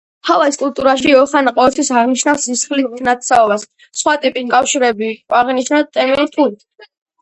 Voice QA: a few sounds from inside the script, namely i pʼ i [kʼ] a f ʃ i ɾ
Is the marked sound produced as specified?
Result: yes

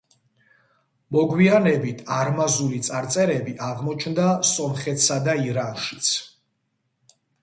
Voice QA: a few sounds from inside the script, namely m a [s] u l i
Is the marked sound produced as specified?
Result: no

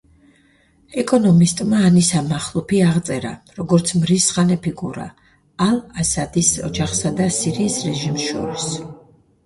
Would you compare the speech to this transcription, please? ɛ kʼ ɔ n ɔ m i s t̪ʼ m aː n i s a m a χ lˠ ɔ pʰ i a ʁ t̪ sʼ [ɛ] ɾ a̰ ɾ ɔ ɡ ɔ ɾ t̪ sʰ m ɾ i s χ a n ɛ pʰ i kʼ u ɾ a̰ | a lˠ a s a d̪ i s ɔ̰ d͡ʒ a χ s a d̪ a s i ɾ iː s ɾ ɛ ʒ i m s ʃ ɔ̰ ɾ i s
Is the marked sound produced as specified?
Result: yes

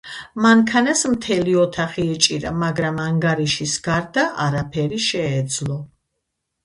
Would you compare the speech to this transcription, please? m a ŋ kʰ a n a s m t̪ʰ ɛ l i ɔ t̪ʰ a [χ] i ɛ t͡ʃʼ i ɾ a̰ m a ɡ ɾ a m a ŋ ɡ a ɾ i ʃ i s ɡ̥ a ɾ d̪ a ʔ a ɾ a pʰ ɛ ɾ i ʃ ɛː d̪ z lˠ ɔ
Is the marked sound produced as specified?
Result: yes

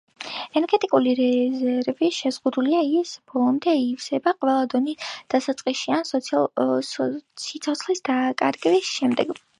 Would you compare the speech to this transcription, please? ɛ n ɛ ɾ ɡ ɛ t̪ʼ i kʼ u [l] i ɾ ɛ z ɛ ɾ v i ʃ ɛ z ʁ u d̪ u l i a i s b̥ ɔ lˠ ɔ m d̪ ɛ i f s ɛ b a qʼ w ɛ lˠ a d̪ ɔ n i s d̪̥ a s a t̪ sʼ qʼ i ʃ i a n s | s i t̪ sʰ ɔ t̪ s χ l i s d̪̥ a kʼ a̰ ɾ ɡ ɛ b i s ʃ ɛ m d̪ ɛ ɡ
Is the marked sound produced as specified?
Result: yes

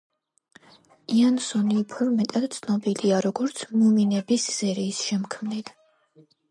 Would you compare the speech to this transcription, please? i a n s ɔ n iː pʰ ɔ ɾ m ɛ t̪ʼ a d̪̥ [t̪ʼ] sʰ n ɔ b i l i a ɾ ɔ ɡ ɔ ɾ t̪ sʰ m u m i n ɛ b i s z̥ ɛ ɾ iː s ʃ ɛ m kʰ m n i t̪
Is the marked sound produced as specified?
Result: no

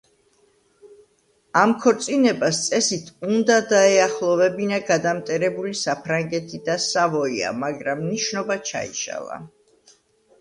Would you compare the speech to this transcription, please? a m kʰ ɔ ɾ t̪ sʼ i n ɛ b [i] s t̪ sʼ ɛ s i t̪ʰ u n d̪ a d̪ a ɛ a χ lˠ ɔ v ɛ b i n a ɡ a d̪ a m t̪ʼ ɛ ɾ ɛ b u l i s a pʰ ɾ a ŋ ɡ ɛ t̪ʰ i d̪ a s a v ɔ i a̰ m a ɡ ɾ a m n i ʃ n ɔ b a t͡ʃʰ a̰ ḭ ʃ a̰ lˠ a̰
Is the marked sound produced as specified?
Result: no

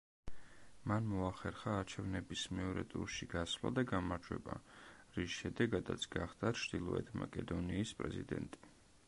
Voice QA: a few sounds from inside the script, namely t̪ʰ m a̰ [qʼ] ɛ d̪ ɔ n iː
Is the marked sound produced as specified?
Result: no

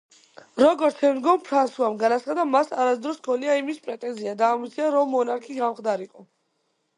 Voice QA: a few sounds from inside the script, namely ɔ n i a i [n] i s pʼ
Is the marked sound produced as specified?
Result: no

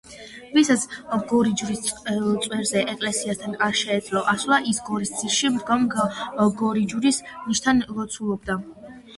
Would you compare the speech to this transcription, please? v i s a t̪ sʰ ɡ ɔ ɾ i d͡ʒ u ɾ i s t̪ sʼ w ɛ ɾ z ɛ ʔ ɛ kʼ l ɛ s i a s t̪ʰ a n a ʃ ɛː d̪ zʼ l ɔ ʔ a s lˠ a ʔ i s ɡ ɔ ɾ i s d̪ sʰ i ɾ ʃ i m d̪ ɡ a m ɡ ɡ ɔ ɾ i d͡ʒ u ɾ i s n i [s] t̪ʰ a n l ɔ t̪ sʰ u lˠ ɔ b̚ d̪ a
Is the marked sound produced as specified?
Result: no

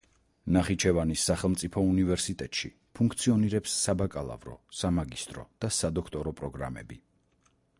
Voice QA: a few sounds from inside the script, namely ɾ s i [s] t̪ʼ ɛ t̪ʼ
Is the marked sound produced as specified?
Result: no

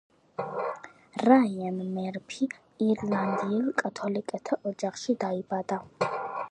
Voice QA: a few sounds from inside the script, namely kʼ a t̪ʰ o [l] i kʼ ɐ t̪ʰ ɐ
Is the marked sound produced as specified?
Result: yes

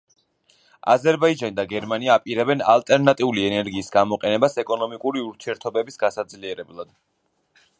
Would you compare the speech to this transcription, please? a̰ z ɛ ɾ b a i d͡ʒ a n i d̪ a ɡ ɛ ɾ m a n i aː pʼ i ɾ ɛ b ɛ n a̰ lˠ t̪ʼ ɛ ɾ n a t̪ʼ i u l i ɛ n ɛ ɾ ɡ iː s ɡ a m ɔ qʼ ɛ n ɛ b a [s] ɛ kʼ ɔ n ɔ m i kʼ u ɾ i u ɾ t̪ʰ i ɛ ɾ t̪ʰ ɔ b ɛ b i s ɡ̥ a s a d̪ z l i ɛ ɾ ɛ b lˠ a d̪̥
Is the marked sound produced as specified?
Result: yes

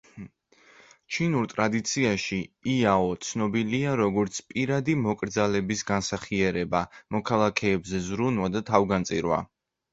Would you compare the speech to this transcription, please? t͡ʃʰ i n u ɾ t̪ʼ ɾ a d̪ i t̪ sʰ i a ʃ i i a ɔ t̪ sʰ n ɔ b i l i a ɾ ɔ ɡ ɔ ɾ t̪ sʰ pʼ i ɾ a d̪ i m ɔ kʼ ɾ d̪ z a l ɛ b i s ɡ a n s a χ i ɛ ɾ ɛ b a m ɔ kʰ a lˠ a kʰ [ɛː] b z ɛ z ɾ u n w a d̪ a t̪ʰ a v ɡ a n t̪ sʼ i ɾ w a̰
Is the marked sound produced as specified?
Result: yes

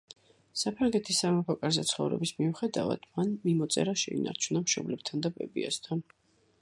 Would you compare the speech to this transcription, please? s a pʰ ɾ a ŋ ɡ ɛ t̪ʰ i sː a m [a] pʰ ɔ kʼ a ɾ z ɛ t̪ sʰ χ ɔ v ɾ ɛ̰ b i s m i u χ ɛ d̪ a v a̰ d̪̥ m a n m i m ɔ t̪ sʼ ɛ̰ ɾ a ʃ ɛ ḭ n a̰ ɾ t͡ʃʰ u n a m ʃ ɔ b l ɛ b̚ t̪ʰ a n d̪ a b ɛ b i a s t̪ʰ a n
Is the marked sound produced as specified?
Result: yes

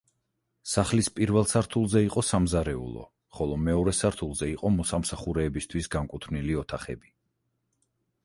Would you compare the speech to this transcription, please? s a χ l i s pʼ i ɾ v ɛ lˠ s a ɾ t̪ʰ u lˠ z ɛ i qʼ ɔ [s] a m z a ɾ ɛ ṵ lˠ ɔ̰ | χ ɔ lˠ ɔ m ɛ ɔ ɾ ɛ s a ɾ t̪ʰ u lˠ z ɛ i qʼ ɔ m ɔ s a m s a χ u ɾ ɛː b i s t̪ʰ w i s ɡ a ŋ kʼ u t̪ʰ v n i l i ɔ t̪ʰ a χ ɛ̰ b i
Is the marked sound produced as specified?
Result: yes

